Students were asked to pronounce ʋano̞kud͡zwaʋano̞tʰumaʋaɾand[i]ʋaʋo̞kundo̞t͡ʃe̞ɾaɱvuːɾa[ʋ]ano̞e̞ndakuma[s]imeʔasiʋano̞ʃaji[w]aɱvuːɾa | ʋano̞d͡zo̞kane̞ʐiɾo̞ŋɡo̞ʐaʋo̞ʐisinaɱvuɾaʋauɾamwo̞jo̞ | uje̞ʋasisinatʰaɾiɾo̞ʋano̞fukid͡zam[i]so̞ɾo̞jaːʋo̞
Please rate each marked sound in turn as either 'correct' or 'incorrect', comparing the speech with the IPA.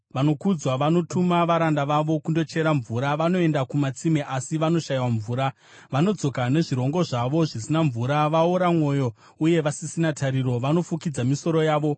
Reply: incorrect: a, correct, incorrect: t͡s, correct, correct

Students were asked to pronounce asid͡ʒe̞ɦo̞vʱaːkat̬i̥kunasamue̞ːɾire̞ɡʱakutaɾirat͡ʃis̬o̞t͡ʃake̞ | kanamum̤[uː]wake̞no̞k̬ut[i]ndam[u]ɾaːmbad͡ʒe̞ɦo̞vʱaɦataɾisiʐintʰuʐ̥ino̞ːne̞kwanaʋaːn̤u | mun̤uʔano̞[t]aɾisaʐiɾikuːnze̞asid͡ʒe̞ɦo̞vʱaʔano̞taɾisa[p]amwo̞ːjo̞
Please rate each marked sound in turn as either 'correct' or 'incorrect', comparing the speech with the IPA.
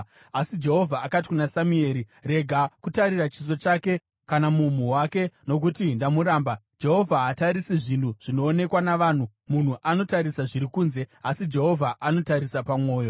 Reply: incorrect: u, correct, correct, correct, correct

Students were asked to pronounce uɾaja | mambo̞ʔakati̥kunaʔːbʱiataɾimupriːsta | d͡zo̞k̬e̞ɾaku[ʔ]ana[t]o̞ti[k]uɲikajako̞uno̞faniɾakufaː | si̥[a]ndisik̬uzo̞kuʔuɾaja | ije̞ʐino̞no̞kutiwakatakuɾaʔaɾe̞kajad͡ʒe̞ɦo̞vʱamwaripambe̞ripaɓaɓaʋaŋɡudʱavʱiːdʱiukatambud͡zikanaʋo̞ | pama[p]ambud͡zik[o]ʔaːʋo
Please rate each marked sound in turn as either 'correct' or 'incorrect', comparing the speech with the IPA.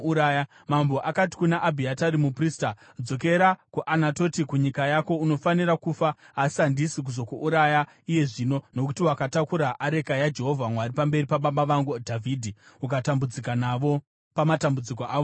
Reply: correct, correct, correct, correct, incorrect: t, correct

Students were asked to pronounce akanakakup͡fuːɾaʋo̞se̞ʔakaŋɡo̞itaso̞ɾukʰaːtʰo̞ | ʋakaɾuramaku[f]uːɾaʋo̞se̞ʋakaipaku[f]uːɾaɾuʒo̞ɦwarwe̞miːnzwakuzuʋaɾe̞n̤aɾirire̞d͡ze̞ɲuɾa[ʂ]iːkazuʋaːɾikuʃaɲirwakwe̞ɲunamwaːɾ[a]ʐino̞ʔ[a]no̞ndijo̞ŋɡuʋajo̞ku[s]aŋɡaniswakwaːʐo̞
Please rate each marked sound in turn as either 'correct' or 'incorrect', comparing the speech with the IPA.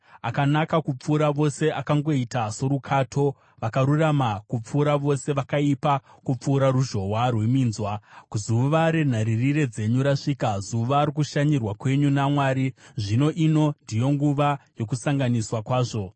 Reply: incorrect: p͡f, incorrect: p͡f, correct, incorrect: i, incorrect: i, correct

